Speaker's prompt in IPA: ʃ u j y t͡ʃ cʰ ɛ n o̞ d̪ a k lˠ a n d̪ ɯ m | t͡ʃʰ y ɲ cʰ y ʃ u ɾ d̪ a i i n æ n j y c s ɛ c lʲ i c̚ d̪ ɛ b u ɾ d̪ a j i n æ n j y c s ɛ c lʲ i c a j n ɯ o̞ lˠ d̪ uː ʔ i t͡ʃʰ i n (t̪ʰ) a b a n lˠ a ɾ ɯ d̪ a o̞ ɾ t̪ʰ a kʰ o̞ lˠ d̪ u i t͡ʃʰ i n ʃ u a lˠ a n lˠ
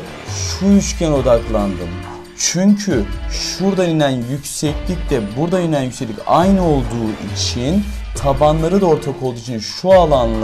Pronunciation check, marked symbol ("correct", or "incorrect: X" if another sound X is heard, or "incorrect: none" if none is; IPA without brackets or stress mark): correct